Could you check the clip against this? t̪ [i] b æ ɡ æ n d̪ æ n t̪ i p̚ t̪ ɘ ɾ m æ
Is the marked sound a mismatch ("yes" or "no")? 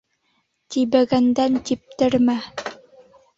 no